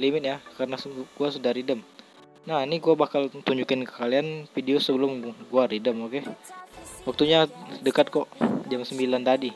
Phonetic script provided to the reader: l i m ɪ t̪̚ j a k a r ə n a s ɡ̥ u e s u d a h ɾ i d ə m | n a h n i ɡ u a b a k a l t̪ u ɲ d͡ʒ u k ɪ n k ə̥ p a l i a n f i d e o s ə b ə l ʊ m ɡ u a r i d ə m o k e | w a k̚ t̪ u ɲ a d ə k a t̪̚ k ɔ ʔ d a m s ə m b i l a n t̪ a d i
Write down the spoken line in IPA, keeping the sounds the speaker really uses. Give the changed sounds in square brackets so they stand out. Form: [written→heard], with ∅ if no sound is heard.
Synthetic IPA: l i m ɪ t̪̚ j a k a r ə n a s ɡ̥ u [e→a] s u d a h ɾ i d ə m | n a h n i ɡ u a b a k a l t̪ u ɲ d͡ʒ u k ɪ n k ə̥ [p→k] a l i a n f i d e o s ə b ə l ʊ m ɡ u a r i d ə m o k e | w a k̚ t̪ u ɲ a d ə k a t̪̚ k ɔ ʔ [d→d͡ʒ] a m s ə m b i l a n t̪ a d i